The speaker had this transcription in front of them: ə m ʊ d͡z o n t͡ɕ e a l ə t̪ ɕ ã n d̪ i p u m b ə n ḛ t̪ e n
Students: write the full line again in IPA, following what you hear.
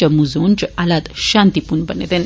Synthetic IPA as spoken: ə m u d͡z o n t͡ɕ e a l a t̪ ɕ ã n t̪ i p u n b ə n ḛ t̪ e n